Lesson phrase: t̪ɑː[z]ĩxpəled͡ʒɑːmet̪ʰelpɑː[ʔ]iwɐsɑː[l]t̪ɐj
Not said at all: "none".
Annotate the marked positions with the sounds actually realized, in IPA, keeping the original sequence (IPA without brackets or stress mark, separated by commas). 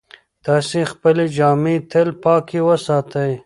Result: s, k, none